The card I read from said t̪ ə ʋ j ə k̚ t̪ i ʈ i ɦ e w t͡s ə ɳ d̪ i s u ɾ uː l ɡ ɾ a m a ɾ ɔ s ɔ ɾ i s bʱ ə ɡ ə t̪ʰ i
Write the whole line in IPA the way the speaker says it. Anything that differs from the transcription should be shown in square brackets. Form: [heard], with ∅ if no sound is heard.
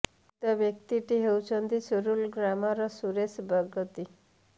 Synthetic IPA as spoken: t̪ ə ʋ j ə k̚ t̪ i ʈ i ɦ e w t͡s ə [n] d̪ i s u ɾ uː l ɡ ɾ a m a ɾ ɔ s [u] ɾ [e] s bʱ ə ɡ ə [t̪] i